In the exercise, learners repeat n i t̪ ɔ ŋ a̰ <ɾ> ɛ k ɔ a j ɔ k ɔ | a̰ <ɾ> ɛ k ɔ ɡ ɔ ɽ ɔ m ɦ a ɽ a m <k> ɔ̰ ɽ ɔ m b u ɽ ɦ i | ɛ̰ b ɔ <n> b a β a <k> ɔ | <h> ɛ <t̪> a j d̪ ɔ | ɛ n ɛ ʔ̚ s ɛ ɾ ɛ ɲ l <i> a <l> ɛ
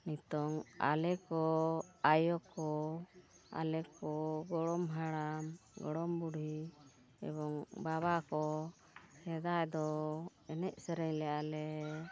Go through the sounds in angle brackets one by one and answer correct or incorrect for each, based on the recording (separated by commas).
incorrect, incorrect, incorrect, incorrect, correct, correct, incorrect, incorrect, correct